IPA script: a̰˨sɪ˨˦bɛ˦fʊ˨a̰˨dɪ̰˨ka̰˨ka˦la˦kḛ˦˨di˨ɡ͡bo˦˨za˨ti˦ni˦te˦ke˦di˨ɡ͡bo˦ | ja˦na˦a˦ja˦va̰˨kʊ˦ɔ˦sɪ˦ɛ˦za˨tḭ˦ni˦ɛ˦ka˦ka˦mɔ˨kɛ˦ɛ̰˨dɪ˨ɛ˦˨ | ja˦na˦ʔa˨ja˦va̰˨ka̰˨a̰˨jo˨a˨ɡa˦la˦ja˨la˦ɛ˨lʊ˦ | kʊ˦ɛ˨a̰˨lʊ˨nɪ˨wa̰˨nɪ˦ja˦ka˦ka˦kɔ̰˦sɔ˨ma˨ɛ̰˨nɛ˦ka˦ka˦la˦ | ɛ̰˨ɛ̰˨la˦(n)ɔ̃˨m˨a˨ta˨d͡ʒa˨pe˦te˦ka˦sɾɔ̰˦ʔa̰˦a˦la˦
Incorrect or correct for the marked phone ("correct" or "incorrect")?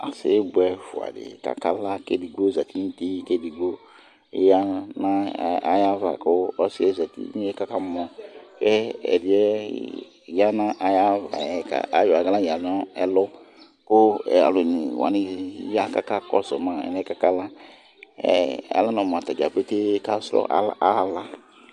correct